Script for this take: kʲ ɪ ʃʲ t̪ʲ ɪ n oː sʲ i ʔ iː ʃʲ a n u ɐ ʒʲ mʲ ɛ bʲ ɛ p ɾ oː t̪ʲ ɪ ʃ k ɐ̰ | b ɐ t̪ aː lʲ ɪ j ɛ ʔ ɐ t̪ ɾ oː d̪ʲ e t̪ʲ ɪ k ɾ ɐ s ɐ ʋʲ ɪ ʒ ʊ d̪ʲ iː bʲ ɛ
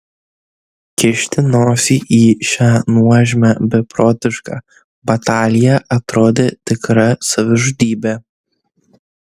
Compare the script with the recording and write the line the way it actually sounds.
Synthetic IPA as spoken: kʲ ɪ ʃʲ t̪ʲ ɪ n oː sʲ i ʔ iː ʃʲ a n u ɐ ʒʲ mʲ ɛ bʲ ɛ p ɾ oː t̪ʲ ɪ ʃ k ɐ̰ | b ɐ t̪ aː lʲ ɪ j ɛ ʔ ɐ t̪ ɾ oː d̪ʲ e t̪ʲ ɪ k ɾ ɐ s ɐ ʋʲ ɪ ʒ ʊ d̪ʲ iː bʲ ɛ